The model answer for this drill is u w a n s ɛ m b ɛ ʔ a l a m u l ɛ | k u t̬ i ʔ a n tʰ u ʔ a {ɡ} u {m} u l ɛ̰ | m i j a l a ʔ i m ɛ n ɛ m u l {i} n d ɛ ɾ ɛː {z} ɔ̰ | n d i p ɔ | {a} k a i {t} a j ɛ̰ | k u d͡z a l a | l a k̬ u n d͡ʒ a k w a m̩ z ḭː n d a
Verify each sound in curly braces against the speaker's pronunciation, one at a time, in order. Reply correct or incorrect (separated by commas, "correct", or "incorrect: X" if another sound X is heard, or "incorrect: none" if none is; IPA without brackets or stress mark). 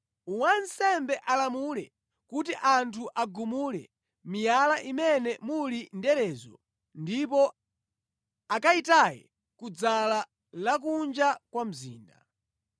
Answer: correct, correct, correct, correct, correct, correct